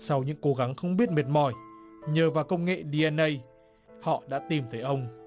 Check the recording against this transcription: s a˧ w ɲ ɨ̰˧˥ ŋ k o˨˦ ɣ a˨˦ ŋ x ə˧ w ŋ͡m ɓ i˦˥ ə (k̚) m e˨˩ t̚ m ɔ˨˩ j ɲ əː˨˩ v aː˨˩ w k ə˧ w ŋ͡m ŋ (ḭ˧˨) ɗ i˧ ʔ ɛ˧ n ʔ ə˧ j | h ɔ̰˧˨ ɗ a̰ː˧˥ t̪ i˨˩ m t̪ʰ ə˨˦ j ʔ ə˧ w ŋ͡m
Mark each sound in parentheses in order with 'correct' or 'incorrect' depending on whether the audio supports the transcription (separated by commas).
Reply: incorrect, incorrect